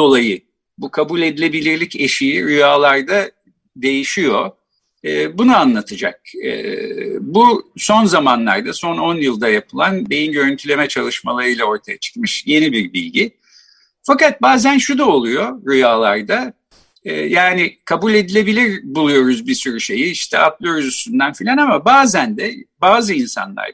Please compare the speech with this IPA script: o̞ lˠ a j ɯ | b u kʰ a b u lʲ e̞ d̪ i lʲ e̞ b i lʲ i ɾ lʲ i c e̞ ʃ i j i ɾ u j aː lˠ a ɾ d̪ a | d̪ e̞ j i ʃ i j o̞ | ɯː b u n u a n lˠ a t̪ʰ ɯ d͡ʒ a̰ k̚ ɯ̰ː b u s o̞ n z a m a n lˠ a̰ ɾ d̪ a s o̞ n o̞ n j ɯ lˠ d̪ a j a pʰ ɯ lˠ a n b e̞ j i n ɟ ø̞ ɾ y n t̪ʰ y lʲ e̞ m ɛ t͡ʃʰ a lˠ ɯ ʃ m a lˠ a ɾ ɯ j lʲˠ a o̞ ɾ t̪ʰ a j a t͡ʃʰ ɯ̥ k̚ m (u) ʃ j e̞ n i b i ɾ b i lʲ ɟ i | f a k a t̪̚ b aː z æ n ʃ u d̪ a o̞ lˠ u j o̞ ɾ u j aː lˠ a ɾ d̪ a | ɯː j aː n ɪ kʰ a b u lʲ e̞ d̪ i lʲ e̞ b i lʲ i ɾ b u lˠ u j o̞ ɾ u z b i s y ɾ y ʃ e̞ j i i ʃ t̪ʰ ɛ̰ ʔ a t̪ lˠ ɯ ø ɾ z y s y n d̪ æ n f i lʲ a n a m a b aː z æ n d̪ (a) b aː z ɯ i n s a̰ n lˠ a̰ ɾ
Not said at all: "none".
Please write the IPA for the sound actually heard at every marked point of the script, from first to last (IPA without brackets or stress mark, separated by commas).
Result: ɯ, ɛ